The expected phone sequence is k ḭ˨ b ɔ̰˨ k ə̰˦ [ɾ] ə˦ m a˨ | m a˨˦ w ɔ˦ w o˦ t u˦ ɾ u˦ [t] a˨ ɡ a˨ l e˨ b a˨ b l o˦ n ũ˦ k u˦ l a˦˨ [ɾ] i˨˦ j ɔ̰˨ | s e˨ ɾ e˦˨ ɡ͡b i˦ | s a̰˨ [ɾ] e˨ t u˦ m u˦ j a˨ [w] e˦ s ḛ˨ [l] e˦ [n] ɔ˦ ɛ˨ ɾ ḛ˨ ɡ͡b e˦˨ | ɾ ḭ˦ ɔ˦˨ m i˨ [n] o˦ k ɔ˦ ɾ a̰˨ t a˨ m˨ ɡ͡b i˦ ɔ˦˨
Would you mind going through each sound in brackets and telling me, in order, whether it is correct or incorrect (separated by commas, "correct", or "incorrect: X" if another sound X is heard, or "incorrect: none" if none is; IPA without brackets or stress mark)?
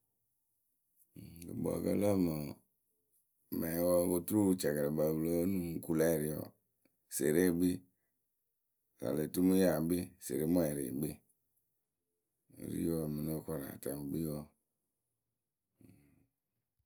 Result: incorrect: l, incorrect: t͡ʃ, correct, incorrect: l, incorrect: b, incorrect: ɾ, incorrect: m, correct